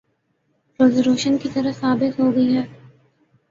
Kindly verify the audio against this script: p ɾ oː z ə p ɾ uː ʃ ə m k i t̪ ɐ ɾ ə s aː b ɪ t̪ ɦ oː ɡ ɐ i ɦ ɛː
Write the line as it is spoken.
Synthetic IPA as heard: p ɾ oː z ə ɾ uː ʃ ə n k i t̪ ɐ ɾ ə s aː b ɪ t̪ ɦ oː ɡ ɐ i ɦ ɛː